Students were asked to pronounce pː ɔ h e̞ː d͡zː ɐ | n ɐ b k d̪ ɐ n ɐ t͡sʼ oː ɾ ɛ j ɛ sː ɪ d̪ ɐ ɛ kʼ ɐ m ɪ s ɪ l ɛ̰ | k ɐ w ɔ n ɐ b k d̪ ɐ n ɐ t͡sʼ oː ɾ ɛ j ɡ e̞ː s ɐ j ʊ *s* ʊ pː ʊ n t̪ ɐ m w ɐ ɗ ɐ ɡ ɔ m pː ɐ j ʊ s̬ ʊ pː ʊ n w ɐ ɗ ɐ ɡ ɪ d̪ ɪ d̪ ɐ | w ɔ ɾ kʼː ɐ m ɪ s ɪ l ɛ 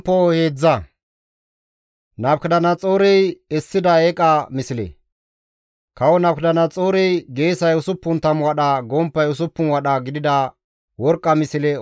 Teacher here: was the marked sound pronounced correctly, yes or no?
yes